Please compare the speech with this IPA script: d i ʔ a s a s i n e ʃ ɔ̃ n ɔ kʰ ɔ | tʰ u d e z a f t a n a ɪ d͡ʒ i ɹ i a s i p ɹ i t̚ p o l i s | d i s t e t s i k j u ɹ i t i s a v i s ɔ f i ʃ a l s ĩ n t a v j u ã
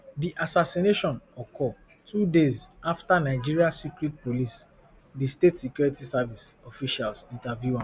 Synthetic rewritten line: d i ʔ a s a s i n e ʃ ɔ̃ n ɔ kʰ ɔ | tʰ u d e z a f t a n a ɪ d͡ʒ i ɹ i a s i k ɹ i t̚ p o l i s | d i s t e t s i k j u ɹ i t i s a v i s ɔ f i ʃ a l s ĩ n t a v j u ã